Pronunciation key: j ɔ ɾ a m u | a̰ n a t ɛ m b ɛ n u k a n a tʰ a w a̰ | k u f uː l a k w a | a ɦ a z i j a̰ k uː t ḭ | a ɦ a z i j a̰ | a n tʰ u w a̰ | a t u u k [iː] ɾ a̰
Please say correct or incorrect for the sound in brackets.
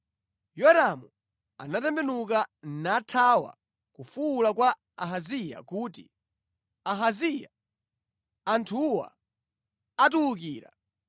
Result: correct